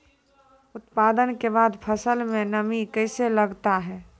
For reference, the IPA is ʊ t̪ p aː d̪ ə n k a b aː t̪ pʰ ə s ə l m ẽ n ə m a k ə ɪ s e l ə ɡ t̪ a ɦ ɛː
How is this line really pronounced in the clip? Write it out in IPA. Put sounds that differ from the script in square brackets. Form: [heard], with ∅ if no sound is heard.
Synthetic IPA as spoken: ʊ t̪ p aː d̪ ə n k [e] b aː [d̪] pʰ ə s ə l m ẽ n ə m [i] k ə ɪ s e l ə ɡ t̪ a ɦ ɛː